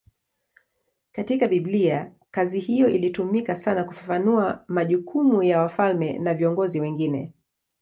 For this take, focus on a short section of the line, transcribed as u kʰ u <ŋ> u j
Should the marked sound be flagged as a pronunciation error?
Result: yes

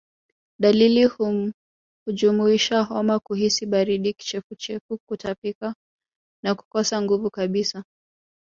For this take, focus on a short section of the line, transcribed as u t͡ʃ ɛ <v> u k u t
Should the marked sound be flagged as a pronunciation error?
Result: yes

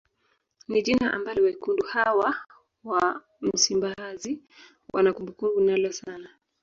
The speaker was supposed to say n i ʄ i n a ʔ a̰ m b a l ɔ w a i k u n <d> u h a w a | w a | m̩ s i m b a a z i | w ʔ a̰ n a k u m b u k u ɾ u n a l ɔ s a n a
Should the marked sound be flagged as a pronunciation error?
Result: no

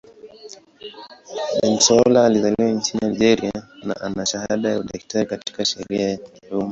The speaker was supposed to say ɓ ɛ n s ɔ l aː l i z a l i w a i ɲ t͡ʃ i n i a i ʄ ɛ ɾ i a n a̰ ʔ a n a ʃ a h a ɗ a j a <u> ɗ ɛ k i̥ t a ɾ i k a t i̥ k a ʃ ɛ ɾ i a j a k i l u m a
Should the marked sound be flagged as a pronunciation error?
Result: no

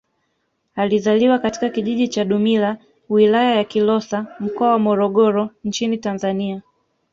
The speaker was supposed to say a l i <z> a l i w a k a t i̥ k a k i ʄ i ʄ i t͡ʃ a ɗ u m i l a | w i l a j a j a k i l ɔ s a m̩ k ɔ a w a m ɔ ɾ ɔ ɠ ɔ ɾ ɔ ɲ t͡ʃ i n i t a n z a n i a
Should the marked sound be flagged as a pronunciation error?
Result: no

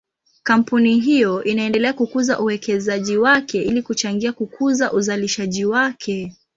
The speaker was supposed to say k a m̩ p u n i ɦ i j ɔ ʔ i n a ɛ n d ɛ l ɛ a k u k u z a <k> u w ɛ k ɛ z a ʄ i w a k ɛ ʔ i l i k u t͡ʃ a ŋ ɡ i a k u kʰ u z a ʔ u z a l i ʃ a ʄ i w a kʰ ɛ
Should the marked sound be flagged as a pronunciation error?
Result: yes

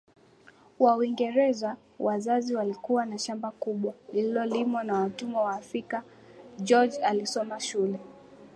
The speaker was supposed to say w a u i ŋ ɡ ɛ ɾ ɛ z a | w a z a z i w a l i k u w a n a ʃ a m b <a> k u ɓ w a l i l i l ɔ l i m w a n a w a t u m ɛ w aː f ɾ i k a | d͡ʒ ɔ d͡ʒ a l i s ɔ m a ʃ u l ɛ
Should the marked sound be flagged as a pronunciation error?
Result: no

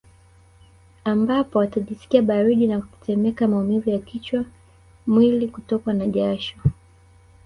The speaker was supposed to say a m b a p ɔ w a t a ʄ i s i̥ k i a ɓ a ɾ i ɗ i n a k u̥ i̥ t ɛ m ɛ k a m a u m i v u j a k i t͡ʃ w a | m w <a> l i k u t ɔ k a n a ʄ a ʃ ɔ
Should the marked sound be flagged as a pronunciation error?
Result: yes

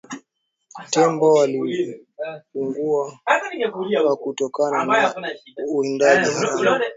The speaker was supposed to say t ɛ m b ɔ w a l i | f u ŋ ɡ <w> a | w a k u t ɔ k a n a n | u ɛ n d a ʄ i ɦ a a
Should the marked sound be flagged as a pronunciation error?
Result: yes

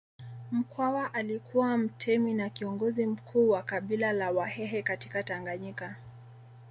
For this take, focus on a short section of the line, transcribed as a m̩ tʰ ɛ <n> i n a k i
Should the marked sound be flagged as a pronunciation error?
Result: yes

